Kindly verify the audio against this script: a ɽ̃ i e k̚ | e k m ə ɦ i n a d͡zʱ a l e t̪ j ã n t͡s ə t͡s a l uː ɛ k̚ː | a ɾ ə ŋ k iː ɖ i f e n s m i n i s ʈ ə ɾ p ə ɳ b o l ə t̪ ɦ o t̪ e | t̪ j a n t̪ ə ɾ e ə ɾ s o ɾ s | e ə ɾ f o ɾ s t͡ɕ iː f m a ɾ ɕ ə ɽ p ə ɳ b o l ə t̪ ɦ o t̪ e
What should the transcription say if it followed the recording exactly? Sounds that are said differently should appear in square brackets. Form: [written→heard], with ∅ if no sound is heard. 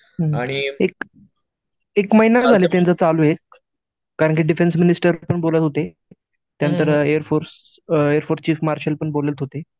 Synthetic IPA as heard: a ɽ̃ i e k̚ | e k m ə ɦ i n a d͡zʱ a l e t̪ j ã n t͡s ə t͡s a l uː [ɛ→e] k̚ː | a ɾ ə [ŋ→ɳ] k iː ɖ i f e n s m i n i s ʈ ə ɾ p ə ɳ b o l ə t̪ ɦ o t̪ e | t̪ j a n t̪ ə ɾ e ə ɾ [s→f] o ɾ s | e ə ɾ f o ɾ s t͡ɕ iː f m a ɾ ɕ ə [ɽ→l] p ə ɳ b o l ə t̪ ɦ o t̪ e

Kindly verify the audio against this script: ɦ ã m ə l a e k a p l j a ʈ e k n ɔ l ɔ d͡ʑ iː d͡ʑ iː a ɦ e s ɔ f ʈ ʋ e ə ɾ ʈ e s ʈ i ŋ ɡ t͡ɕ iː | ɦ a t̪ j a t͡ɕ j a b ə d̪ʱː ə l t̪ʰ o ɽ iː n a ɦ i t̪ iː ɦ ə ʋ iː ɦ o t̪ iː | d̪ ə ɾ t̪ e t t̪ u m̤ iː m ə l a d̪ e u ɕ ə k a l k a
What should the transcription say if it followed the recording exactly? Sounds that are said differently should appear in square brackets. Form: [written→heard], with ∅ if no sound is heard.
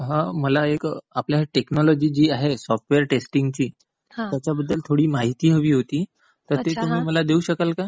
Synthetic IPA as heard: ɦ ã m ə l a e k a p l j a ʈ e k n ɔ l ɔ d͡ʑ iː d͡ʑ iː a ɦ e s ɔ f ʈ ʋ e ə ɾ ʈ e s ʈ i ŋ ɡ t͡ɕ iː | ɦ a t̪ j a t͡ɕ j a b ə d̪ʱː ə l t̪ʰ o ɽ iː [n→m] a ɦ i t̪ iː ɦ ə ʋ iː ɦ o t̪ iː | [d̪→t̪] ə ɾ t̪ e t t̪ u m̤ iː m ə l a d̪ e u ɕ ə k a l k a

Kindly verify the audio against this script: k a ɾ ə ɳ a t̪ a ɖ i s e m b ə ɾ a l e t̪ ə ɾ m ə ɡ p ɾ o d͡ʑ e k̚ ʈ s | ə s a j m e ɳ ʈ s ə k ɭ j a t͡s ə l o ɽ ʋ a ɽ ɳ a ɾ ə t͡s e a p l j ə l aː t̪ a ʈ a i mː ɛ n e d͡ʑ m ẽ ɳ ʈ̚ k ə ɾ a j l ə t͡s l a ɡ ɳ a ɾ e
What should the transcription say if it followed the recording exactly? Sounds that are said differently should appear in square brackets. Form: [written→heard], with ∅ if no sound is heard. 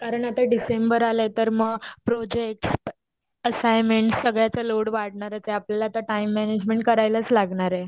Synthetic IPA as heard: k a ɾ ə ɳ a t̪ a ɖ i s e m b ə ɾ a l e t̪ ə ɾ m ə ɡ p ɾ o d͡ʑ e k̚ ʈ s | ə s a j m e ɳ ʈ s ə [k→ɡ] ɭ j a t͡s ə l o ɽ ʋ a ɽ ɳ a ɾ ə t͡s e a p l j [ə→a] l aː t̪ a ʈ a i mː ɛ n e d͡ʑ m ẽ ɳ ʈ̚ k ə ɾ a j l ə t͡s l a ɡ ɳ a ɾ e

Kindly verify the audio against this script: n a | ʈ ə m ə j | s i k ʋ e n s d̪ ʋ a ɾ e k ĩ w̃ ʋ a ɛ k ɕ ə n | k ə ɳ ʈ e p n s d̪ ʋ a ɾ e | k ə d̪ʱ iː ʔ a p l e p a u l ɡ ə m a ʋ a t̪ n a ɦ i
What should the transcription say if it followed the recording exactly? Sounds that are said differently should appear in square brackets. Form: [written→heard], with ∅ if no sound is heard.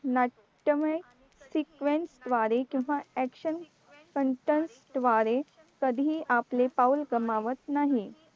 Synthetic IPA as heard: n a | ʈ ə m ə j | s i k ʋ e n s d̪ ʋ a ɾ e k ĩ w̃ ʋ a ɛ k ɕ ə n | k ə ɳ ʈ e [p→∅] n s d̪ ʋ a ɾ e | k ə d̪ʱ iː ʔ a p l e p a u l ɡ ə m a ʋ [a→ə] t̪ n a ɦ i

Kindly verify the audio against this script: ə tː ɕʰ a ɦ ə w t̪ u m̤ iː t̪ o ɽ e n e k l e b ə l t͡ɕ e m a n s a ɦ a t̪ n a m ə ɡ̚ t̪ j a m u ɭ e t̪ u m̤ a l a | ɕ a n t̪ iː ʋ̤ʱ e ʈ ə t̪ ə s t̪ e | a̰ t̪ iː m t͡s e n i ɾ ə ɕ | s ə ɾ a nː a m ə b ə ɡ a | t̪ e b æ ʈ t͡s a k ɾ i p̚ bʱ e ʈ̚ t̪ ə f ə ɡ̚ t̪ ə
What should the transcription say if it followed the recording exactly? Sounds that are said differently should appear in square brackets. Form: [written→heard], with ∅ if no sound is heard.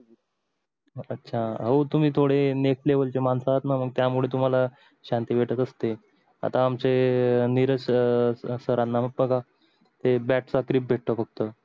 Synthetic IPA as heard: ə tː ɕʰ a ɦ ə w t̪ u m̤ iː [t̪→t̪ʰ] o ɽ e n e k l e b ə l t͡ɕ e m a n s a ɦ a t̪ n a m ə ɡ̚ t̪ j a m u ɭ e t̪ u m̤ a l a | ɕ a n t̪ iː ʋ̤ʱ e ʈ ə t̪ ə s t̪ e | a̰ t̪ [iː→aː] m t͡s e n i ɾ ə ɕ | s ə ɾ a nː a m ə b ə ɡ a | t̪ e b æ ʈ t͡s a k ɾ i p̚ bʱ e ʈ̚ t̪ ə f ə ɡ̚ t̪ ə

